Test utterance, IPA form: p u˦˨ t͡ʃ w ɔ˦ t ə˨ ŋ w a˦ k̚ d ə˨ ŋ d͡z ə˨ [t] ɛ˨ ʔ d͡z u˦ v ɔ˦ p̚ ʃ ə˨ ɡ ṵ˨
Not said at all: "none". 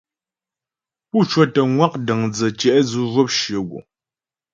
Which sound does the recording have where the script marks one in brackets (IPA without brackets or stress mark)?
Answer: t͡ʃ